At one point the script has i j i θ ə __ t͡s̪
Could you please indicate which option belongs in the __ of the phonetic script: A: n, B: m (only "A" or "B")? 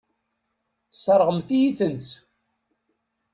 A